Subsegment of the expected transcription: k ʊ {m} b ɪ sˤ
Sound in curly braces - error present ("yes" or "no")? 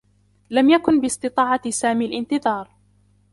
yes